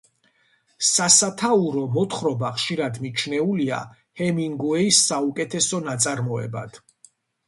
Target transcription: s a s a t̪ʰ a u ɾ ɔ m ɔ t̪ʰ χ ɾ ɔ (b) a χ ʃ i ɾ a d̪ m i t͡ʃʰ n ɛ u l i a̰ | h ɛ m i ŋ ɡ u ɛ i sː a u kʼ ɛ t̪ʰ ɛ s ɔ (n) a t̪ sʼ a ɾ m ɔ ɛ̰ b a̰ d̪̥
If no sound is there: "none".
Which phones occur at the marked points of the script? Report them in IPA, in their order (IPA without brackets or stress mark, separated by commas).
b, n